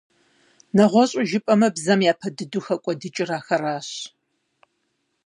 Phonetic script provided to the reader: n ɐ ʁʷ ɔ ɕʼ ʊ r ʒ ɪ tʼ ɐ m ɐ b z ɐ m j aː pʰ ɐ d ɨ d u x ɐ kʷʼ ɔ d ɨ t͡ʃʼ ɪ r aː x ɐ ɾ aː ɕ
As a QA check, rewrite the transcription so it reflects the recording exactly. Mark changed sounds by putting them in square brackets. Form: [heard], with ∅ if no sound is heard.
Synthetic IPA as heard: n ɐ ʁʷ ɔ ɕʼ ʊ [∅] ʒ ɪ [pʼ] ɐ m ɐ b z ɐ m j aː pʰ ɐ d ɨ d u x ɐ kʷʼ ɔ d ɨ t͡ʃʼ ɪ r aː x ɐ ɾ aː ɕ